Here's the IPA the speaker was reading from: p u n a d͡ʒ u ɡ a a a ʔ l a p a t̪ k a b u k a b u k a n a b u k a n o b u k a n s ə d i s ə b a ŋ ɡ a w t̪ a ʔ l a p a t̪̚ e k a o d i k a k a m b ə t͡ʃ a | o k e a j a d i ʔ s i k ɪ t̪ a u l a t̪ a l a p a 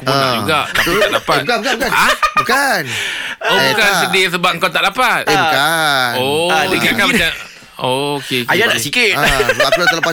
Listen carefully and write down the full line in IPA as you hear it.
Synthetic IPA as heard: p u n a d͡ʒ u ɡ a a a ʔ l a p a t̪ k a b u k a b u k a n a b u k a n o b u k a n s ə d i s ə b a ŋ k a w t̪ a ʔ l a p a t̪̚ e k a o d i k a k a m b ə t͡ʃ a | o k e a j a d a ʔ s i k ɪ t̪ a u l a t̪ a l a p a